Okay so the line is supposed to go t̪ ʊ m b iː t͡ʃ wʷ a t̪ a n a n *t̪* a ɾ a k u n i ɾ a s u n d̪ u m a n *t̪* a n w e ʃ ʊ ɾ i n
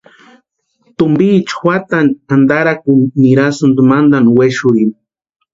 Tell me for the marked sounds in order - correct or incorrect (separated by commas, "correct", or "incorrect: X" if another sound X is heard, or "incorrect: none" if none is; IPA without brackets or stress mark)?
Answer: incorrect: d̪, incorrect: d̪